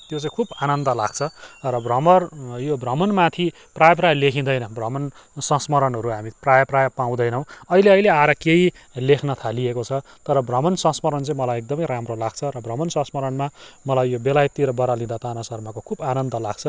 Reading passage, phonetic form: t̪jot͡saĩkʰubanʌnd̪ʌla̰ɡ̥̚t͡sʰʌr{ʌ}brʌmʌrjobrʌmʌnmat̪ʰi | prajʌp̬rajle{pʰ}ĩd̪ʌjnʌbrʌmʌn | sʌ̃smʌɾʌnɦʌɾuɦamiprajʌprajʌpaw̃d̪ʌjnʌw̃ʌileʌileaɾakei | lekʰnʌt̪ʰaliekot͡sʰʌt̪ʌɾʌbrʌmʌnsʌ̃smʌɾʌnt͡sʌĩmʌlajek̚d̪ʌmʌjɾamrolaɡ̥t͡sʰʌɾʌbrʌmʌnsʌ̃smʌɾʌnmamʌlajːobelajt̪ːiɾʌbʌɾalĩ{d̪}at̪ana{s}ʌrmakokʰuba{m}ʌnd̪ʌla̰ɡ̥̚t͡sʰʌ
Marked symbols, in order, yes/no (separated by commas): yes, no, yes, yes, no